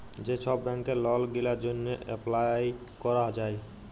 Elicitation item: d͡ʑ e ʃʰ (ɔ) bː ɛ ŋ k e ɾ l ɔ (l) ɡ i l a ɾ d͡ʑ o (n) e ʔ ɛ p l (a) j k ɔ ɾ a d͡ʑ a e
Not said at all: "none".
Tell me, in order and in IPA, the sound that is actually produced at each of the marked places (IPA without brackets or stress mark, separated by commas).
ɔ, l, nː, a